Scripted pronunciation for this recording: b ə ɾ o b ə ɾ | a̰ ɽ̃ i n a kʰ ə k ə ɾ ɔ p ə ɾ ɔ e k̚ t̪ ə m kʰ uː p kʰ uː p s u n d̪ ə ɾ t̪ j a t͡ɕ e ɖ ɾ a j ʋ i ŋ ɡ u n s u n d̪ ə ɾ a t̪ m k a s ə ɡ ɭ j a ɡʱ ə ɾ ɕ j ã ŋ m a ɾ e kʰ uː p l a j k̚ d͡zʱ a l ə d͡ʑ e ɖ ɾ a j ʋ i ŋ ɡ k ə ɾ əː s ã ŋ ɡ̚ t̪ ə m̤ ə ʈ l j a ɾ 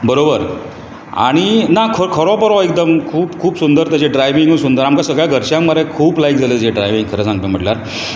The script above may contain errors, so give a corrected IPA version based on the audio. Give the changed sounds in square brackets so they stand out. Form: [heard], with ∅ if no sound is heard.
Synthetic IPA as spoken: b ə ɾ o b ə ɾ | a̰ ɽ̃ i n a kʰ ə [kʰ] ə ɾ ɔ p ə ɾ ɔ e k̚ [d̪] ə m kʰ uː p kʰ uː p s u n d̪ ə ɾ t̪ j a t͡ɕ e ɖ ɾ a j ʋ i ŋ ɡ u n s u n d̪ ə ɾ a [∅] m k a s ə ɡ ɭ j a ɡʱ ə ɾ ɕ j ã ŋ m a ɾ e kʰ uː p l a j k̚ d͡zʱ a l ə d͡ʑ e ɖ ɾ a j ʋ i ŋ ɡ [kʰ] ə ɾ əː s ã ŋ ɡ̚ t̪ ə m̤ ə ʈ l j a ɾ